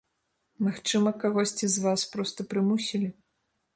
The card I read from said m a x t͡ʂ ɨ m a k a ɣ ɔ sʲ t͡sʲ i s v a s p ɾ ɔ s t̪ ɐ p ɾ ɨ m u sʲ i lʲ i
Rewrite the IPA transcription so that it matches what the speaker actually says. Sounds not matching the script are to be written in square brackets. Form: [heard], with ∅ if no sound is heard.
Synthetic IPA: m a x t͡ʂ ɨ m [ɐ] k a ɣ ɔ sʲ t͡sʲ i [z] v a s p ɾ ɔ s t̪ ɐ p ɾ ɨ m u sʲ i lʲ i